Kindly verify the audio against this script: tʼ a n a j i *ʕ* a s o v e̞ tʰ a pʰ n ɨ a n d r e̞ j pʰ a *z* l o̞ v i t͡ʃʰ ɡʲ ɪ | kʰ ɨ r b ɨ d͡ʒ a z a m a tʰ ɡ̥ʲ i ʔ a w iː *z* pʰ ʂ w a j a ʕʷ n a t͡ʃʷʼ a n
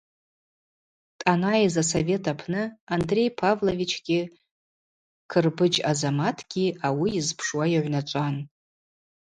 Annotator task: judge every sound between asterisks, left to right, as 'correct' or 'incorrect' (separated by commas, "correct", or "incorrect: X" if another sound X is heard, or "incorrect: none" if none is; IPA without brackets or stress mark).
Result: incorrect: z, incorrect: v, correct